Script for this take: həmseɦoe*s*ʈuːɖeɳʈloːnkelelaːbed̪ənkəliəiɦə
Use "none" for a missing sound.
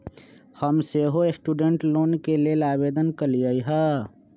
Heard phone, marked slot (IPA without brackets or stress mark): s